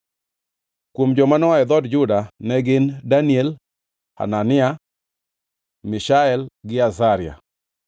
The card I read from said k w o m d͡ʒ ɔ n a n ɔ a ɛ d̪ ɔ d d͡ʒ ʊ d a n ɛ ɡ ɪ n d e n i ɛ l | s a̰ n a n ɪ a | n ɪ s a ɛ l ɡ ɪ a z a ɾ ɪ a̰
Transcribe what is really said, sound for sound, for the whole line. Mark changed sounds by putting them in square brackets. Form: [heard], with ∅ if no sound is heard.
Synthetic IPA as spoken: k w o m d͡ʒ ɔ [m] a n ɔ a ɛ d̪ ɔ d d͡ʒ ʊ d a n ɛ ɡ ɪ n d [a] n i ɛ l | [h] a̰ n a n ɪ a | [m] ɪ [ʃ] a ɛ l ɡ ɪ a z a ɾ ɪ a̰